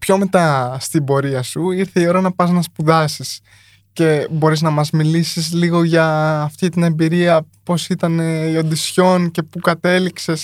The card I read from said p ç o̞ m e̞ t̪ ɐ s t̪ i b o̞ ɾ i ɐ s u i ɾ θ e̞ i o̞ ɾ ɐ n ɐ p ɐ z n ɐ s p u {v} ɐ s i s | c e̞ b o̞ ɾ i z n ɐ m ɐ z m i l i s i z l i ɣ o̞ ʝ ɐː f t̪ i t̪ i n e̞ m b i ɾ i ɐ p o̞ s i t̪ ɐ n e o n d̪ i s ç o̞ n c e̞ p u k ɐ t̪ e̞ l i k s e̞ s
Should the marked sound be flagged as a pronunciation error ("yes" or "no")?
yes